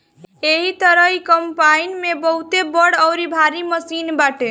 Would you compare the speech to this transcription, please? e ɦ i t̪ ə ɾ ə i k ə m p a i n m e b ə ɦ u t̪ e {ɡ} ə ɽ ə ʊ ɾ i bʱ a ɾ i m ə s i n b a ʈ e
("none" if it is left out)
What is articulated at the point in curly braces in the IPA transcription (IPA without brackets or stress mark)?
b